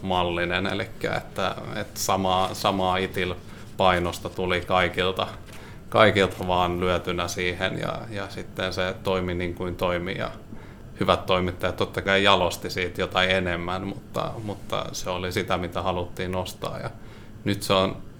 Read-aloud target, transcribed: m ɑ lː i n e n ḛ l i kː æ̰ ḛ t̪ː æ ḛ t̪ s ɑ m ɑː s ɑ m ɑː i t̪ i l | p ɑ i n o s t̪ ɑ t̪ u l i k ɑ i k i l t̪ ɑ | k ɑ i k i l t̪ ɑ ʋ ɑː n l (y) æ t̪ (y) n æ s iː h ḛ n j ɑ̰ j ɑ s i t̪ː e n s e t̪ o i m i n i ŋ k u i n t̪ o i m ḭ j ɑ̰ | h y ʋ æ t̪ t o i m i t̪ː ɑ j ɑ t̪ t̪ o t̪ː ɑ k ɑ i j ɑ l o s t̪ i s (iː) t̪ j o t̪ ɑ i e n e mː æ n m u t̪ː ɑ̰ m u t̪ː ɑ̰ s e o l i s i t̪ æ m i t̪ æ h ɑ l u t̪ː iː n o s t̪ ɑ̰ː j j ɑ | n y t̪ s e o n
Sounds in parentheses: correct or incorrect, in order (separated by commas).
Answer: correct, correct, correct